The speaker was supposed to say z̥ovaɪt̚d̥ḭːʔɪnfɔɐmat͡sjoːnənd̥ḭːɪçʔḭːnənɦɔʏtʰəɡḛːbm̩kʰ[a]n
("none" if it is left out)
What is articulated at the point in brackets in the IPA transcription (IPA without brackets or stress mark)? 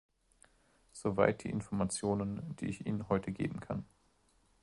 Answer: a